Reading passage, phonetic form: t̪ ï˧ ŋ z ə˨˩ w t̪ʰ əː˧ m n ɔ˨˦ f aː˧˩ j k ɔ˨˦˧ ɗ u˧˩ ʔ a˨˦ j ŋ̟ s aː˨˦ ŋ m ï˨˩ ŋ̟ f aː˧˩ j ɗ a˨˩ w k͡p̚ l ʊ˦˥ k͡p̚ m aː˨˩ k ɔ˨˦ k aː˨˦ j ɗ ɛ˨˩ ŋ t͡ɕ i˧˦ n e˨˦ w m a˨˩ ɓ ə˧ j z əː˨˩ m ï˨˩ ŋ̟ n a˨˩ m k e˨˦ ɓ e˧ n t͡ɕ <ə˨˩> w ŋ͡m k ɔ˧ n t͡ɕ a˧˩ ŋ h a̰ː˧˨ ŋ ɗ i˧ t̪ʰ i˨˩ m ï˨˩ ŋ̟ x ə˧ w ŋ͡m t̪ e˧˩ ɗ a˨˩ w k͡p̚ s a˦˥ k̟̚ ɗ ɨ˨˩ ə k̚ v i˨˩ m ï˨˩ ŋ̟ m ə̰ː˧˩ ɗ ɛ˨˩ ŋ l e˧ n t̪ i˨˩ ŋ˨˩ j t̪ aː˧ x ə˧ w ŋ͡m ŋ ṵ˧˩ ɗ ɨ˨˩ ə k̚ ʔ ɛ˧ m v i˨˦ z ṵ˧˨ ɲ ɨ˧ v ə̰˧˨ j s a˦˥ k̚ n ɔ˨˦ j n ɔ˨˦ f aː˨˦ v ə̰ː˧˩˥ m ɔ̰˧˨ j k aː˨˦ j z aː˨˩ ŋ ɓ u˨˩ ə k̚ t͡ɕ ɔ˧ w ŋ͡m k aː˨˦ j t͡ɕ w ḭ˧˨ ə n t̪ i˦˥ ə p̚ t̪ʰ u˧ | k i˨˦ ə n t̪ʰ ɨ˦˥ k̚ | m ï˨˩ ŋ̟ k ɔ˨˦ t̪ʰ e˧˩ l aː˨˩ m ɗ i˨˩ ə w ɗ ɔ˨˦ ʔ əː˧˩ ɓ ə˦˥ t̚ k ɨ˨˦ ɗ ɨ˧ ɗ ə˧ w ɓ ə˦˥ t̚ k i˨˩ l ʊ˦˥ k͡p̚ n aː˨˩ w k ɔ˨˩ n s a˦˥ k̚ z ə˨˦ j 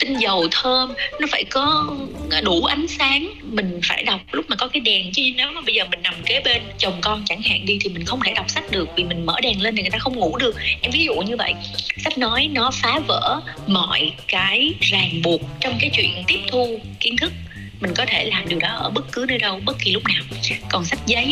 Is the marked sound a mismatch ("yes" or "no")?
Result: no